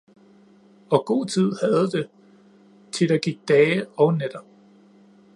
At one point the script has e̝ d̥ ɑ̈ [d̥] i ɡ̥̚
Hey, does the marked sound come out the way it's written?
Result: no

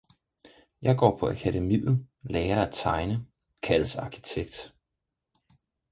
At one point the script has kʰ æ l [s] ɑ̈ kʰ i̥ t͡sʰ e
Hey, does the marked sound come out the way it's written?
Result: yes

